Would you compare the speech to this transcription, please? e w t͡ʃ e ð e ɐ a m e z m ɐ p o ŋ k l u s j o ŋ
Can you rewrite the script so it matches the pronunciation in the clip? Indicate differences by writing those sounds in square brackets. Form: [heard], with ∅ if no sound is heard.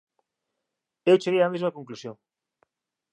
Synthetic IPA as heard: e w t͡ʃ e [ɣ] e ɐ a m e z m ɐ [k] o ŋ k l u s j o ŋ